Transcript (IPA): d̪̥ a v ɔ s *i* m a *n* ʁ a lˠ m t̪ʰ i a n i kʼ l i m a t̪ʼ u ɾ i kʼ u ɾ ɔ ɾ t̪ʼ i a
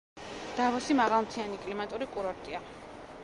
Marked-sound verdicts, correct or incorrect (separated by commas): correct, incorrect